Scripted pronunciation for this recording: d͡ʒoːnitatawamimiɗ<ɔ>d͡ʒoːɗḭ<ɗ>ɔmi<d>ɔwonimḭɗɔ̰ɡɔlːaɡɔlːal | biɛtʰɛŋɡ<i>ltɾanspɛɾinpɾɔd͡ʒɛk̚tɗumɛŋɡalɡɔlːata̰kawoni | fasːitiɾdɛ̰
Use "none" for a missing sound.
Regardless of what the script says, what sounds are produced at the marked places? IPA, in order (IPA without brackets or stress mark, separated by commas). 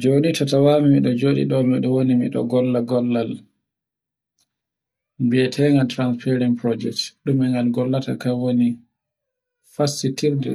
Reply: ɔ, ɗ, ɗ, a